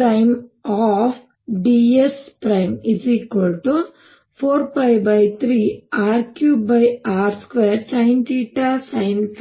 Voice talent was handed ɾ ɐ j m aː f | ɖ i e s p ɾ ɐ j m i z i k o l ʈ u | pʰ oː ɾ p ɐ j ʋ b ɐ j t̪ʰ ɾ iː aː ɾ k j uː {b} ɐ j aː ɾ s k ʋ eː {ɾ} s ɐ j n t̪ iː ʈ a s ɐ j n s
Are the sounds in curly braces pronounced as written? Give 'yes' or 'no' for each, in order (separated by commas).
yes, yes